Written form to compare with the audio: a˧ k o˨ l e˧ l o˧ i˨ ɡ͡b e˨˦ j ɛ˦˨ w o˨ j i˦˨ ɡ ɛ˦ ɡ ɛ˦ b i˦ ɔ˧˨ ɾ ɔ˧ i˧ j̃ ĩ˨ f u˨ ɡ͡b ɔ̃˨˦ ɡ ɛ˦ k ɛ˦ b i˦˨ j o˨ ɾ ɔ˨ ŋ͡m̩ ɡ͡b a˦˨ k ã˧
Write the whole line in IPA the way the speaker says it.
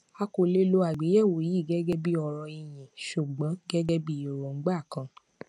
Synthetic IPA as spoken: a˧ k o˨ l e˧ l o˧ a˨ ɡ͡b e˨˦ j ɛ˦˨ w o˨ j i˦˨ ɡ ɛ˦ ɡ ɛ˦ b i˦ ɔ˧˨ ɾ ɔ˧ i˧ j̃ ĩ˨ ʃ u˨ ɡ͡b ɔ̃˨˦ ɡ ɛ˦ ɡ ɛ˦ b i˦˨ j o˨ ɾ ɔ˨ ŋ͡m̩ ɡ͡b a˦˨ k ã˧